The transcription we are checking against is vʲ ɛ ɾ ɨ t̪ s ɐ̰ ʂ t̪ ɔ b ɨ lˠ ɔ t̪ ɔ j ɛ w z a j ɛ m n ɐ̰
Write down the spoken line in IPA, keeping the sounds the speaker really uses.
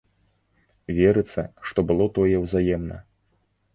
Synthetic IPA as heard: vʲ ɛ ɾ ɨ t̪ s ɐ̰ ʂ t̪ ɔ b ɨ lˠ ɔ t̪ ɔ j ɛ w z a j ɛ m n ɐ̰